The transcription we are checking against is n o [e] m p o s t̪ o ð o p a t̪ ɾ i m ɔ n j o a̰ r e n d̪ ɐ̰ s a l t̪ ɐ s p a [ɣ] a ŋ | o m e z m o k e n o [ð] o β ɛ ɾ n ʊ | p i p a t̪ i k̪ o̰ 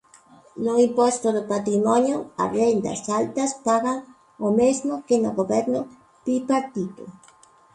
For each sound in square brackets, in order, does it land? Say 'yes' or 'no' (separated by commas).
no, yes, no